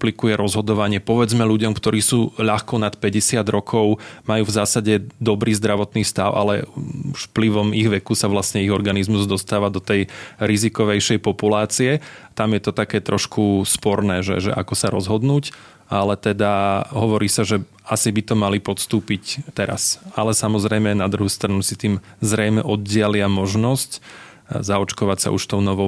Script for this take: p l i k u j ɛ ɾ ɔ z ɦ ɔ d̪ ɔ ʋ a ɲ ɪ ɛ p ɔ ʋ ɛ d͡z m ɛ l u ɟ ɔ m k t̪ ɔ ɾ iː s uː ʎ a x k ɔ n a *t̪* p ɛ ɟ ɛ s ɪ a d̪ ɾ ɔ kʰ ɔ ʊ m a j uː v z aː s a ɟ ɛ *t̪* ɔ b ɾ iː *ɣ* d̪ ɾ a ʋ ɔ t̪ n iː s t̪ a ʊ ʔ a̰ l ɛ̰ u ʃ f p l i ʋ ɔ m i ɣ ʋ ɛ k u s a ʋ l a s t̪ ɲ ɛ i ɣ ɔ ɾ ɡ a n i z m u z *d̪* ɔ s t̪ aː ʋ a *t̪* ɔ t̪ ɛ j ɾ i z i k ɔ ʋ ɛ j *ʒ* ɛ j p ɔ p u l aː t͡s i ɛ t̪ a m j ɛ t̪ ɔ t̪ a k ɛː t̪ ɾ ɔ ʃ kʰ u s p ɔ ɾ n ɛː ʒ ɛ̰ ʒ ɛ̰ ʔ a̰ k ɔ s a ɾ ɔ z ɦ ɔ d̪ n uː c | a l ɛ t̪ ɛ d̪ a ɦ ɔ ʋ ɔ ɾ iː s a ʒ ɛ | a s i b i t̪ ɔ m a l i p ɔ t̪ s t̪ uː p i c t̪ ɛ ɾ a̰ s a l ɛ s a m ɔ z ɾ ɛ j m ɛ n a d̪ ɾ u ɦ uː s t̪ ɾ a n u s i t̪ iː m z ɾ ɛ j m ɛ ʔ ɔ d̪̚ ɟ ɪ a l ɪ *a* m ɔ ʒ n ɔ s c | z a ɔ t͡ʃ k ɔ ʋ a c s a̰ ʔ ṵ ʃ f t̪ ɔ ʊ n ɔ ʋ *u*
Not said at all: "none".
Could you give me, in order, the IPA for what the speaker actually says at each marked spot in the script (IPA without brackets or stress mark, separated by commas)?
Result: t̪, d̪, z, d̪, d̪, ʃ, a, ɔ